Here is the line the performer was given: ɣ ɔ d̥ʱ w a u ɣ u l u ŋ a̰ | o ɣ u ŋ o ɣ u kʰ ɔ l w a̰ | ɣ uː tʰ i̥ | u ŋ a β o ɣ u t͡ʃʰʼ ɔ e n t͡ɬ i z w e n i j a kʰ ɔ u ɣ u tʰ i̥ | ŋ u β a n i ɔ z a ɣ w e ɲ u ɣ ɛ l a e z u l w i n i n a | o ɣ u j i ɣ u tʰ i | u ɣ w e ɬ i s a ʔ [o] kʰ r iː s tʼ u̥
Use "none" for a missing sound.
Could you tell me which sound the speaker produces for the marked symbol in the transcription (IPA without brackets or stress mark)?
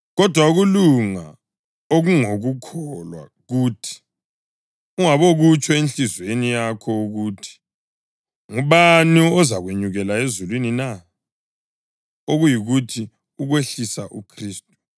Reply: u